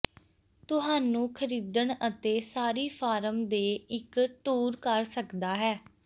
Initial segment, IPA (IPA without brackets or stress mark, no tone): t̪